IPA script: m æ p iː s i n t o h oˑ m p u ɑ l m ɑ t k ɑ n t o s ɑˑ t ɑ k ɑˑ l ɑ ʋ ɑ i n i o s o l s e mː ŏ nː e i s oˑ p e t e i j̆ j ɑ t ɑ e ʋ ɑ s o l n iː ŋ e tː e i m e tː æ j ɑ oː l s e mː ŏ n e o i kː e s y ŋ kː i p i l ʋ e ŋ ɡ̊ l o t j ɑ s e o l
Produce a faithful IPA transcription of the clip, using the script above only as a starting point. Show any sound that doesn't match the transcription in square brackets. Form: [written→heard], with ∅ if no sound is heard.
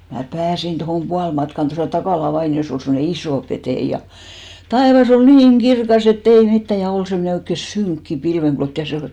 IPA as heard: m æ p [iː→æː] s i n t o h oˑ m p u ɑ l m ɑ t k ɑ n t o s ɑˑ t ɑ k ɑˑ l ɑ ʋ ɑ i n i o s o l s e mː ŏ [nː→n] e i s oˑ p e t e i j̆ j ɑ t ɑ e ʋ ɑ s o l n iː ŋ e tː e i m [e→i] tː æ j ɑ [oː→o] l s e mː ŏ n e o i kː e s y ŋ kː i p i l ʋ e ŋ ɡ̊ l o t j ɑ s e o l